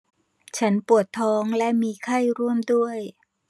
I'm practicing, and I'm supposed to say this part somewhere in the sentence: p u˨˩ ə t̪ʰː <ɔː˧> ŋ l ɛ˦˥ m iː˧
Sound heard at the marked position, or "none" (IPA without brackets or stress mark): ɔː˦˥